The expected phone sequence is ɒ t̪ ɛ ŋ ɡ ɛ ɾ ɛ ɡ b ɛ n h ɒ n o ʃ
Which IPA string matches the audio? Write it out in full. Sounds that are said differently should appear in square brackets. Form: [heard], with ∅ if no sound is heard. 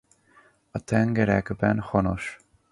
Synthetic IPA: ɒ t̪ ɛ ŋ ɡ ɛ ɾ ɛ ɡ b ɛ n h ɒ n o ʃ